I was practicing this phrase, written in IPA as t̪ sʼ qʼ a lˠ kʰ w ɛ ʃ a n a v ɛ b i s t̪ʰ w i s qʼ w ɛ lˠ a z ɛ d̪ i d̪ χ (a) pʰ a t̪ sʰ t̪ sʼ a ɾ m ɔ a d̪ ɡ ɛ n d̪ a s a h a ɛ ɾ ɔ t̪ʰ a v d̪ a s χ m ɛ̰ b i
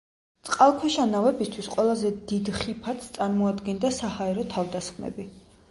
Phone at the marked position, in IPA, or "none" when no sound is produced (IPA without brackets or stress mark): i